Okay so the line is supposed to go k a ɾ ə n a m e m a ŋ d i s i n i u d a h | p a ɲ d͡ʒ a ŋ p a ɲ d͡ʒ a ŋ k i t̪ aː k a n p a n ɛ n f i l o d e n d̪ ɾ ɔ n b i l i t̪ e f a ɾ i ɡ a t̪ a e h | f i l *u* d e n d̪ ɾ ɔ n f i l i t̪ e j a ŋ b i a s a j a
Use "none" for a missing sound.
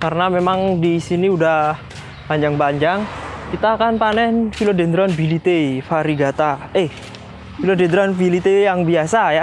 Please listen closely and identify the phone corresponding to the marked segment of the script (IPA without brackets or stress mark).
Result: o